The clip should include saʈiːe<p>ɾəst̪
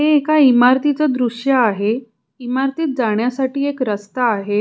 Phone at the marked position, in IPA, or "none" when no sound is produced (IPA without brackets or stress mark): k